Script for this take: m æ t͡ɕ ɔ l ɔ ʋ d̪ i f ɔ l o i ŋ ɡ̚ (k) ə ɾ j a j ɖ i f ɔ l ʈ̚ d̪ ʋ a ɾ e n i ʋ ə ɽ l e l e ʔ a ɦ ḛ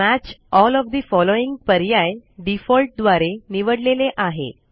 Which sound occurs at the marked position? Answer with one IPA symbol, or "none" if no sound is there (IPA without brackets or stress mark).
p